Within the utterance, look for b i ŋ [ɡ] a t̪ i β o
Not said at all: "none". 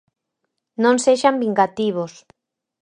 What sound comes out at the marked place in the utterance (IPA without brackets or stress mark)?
ɡ